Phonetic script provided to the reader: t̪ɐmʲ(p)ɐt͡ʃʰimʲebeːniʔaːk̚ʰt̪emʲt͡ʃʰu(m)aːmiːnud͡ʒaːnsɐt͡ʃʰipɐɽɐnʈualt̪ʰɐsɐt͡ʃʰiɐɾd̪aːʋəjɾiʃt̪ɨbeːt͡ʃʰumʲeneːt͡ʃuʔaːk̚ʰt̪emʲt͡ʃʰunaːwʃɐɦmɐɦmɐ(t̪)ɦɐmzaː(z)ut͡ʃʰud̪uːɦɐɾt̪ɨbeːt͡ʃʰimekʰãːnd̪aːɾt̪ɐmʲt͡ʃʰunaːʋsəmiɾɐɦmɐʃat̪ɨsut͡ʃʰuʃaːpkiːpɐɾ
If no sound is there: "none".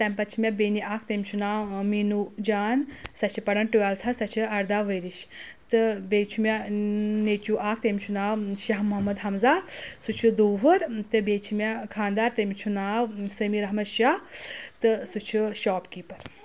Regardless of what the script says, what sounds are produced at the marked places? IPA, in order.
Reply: p, n, d̪, s

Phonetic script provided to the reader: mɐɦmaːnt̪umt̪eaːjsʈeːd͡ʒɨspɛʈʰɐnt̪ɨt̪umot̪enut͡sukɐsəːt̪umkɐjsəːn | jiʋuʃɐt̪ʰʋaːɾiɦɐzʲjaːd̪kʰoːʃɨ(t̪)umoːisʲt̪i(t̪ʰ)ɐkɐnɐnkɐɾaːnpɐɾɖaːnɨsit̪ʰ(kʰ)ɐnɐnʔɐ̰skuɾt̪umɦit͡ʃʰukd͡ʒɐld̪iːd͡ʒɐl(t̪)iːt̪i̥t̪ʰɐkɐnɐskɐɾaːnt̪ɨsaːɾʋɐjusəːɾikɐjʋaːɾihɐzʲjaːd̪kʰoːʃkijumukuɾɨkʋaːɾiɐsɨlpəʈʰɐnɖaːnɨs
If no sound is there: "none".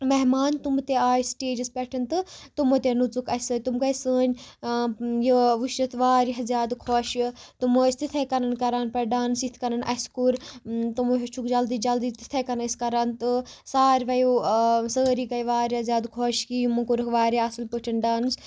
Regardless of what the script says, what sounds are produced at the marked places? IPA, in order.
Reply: t̪, t̪ʰ, k, d̪

